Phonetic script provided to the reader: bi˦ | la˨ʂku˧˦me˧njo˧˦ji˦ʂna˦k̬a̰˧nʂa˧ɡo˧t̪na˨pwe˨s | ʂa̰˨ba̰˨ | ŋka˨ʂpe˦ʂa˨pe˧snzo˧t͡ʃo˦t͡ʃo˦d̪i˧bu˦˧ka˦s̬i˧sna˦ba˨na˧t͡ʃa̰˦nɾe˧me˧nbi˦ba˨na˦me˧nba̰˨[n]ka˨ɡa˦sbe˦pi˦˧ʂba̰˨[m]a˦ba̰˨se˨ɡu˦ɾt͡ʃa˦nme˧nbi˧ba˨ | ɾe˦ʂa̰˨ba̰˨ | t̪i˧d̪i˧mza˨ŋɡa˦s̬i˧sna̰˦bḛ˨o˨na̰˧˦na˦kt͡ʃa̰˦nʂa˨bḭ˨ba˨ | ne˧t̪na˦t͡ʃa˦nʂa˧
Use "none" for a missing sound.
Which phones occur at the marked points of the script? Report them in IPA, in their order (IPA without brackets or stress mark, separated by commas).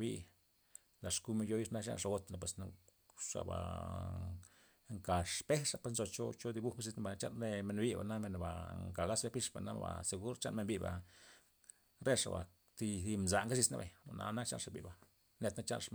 ŋ, n